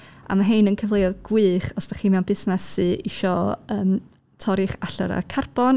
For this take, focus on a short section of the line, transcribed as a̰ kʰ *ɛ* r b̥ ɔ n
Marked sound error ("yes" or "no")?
yes